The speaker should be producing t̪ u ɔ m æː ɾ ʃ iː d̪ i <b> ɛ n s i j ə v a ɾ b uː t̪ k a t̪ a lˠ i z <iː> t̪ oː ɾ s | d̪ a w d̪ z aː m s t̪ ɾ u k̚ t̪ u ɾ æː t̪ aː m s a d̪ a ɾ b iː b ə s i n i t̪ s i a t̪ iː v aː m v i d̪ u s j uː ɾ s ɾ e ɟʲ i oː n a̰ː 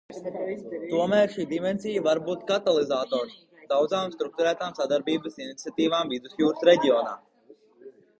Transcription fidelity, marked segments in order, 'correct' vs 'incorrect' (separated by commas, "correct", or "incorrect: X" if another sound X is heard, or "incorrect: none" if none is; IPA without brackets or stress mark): incorrect: m, incorrect: aː